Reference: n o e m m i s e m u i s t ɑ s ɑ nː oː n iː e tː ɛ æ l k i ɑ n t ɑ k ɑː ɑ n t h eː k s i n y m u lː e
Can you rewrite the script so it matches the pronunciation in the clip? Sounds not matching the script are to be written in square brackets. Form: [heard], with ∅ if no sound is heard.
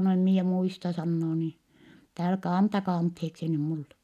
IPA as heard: n o e m m i [∅] e m u i s t ɑ s ɑ nː oː n iː e tː ɛ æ l k [æ] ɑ n t ɑ k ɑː ɑ n t h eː k s i n y m u lː e